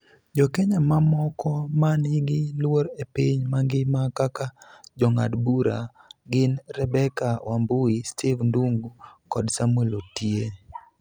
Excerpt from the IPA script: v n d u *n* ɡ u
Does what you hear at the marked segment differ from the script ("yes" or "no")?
yes